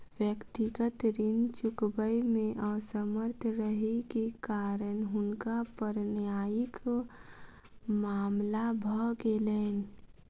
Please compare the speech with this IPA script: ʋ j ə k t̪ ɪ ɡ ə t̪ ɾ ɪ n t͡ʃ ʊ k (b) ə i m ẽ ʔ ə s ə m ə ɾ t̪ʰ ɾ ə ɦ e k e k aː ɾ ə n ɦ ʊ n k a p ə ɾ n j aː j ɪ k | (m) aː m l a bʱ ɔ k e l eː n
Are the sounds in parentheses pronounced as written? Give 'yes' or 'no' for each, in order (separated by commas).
yes, yes